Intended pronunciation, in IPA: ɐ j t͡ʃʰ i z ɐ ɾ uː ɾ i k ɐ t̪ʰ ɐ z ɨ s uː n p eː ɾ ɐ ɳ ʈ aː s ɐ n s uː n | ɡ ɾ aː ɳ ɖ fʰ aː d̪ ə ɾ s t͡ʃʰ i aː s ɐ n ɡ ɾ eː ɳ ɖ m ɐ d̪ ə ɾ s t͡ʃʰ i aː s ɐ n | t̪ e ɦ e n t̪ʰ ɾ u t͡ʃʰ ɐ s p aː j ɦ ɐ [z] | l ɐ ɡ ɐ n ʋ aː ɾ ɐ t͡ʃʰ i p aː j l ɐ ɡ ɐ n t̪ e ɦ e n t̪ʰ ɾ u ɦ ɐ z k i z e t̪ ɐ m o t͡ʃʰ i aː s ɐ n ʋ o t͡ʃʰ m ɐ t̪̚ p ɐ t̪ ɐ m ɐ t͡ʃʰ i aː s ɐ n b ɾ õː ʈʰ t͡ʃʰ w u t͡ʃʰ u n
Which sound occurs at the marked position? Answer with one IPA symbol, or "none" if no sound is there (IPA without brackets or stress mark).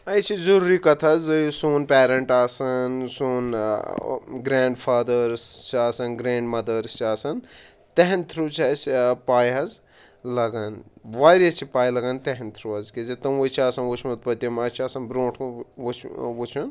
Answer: z